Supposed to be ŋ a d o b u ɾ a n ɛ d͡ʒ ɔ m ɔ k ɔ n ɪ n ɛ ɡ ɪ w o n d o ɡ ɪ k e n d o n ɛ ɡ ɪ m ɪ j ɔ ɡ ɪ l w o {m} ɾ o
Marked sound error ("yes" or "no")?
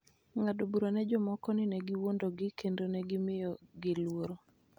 yes